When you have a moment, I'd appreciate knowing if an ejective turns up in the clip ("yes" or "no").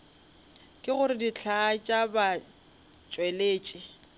yes